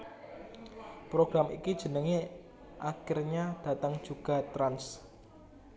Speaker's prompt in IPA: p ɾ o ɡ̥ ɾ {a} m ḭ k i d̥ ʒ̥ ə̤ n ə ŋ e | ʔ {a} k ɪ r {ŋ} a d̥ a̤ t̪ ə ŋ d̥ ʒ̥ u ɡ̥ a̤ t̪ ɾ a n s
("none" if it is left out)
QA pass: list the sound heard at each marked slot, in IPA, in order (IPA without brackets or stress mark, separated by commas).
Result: a, a, ɲ